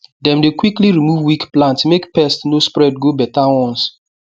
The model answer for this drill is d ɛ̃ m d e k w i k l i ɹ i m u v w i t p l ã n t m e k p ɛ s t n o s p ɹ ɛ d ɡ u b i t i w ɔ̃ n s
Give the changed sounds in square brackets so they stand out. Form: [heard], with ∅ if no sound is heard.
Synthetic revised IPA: d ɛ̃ m d e k w i k l i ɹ i m u v w i [k] p l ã n t m e k p ɛ s t n o s p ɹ ɛ d ɡ [o] b [ɛ] t [a] w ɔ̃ n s